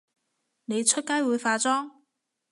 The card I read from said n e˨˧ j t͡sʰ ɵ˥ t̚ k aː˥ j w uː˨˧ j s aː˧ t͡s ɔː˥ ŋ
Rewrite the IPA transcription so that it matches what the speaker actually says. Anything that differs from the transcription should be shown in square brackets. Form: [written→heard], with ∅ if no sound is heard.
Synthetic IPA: n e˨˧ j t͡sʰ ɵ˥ t̚ k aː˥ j w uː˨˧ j [s→f] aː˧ t͡s ɔː˥ ŋ